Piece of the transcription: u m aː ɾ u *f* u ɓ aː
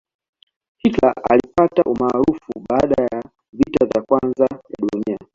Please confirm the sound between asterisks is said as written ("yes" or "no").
yes